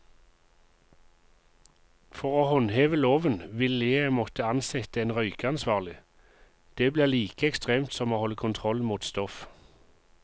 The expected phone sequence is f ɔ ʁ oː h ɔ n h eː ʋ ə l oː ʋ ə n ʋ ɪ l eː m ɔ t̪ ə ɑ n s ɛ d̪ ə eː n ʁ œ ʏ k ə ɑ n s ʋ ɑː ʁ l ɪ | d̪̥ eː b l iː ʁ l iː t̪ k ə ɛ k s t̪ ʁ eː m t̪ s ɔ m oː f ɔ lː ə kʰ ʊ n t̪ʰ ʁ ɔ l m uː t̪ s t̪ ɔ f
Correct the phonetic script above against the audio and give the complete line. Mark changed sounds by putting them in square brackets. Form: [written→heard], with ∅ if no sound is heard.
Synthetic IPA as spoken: f ɔ ʁ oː h ɔ n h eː ʋ ə l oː ʋ ə n ʋ ɪ l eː m ɔ t̪ ə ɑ n s ɛ [d̪→t̪] ə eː n ʁ œ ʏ k ə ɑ n s ʋ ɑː ʁ l ɪ | d̪̥ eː b l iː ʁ l iː [t̪→∅] k ə ɛ k s t̪ ʁ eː m t̪ s ɔ m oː [f→h] ɔ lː ə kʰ ʊ n t̪ʰ ʁ ɔ l m uː t̪ s t̪ ɔ f

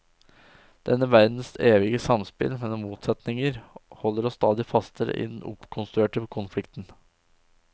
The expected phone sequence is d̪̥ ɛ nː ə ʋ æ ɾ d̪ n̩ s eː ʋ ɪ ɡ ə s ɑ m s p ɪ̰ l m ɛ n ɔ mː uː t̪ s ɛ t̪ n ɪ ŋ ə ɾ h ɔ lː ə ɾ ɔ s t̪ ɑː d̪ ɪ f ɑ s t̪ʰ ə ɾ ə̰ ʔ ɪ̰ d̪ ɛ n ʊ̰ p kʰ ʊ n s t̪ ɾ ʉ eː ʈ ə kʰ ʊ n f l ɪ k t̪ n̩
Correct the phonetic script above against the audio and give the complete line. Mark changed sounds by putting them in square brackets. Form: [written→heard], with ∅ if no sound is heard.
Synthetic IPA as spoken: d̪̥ ɛ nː ə ʋ æ ɾ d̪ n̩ s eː ʋ ɪ ɡ ə s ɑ m s p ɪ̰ l m ɛ n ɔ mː uː t̪ s ɛ t̪ n ɪ ŋ ə ɾ h ɔ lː ə ɾ ɔ s t̪ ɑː d̪ ɪ f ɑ s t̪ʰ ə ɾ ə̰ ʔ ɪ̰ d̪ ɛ n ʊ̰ p kʰ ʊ n s t̪ ɾ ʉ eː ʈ ə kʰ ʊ n f l ɪ k t̪ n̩

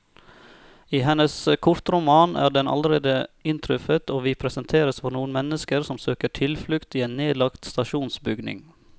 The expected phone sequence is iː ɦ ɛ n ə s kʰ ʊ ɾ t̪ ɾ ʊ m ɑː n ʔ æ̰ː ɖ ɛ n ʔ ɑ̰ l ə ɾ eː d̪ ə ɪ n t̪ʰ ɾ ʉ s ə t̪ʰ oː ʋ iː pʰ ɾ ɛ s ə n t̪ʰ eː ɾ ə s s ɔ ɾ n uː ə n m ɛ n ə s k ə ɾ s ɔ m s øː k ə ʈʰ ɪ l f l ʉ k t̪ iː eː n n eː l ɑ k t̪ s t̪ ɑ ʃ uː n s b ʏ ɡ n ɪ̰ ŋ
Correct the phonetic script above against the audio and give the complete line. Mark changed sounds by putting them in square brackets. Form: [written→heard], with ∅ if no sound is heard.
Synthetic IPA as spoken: iː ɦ ɛ n ə s kʰ ʊ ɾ t̪ ɾ ʊ m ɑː n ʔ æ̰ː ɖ ɛ n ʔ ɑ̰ l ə ɾ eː d̪ ə ɪ n t̪ʰ ɾ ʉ [s→f] ə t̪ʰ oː ʋ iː pʰ ɾ ɛ s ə n t̪ʰ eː ɾ ə s [s→f] ɔ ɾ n uː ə n m ɛ n ə s k ə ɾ s ɔ m s øː k ə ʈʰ ɪ l f l ʉ k t̪ iː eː n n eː l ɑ k t̪ s t̪ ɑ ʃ uː n s b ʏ ɡ n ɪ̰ ŋ

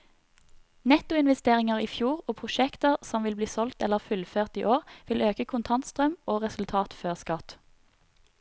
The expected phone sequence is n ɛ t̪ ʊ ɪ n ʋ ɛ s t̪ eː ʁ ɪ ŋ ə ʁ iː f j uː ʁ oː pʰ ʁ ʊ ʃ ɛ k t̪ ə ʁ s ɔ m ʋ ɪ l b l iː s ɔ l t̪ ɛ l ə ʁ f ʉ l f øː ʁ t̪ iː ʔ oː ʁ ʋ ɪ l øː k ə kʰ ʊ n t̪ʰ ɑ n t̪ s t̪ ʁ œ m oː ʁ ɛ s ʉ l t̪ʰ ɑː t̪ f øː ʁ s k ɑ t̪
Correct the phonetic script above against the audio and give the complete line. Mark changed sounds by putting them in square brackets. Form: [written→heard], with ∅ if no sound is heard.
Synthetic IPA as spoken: n ɛ t̪ ʊ ɪ n ʋ ɛ s t̪ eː ʁ ɪ ŋ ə ʁ iː f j uː ʁ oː pʰ ʁ ʊ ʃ ɛ k t̪ ə ʁ s ɔ m ʋ ɪ l b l iː s ɔ l t̪ ɛ l ə ʁ f ʉ l f øː ʁ t̪ iː ʔ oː ʁ ʋ ɪ l øː k ə kʰ ʊ n t̪ʰ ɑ n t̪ s t̪ ʁ œ m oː ʁ ɛ s ʉ l t̪ʰ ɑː t̪ f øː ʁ s k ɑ t̪

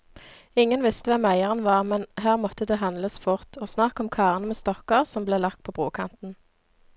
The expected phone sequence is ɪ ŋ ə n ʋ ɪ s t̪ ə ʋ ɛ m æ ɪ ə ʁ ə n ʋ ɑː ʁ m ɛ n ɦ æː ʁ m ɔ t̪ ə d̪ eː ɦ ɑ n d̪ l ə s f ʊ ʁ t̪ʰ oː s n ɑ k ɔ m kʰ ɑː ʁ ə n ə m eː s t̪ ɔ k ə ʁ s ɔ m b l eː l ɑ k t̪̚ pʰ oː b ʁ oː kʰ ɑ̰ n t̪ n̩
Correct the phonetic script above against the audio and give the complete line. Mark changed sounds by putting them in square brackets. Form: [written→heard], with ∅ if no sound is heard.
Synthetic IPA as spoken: ɪ ŋ ə n ʋ ɪ s t̪ ə ʋ ɛ m æ ɪ ə ʁ ə n ʋ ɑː ʁ m ɛ n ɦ æː ʁ m ɔ t̪ ə d̪ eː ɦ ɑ n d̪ l ə s f ʊ ʁ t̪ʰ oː s n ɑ k ɔ m kʰ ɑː ʁ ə n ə m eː s t̪ ɔ k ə ʁ s ɔ m b l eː l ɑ k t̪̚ pʰ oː b ʁ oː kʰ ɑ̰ n t̪ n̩

